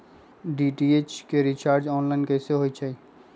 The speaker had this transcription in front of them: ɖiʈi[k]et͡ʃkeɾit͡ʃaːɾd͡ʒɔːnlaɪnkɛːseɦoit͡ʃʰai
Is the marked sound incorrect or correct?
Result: incorrect